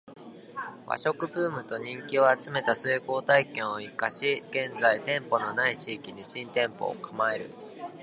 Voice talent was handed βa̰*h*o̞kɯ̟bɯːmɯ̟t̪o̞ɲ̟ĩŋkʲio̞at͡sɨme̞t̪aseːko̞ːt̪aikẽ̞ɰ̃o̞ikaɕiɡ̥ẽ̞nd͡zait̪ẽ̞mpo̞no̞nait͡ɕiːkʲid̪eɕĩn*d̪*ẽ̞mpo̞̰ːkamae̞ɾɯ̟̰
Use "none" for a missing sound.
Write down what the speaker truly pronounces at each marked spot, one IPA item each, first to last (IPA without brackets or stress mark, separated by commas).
ɕ, t̪